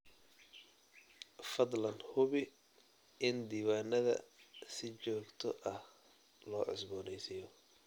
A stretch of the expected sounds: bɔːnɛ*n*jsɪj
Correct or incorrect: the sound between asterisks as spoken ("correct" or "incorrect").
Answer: incorrect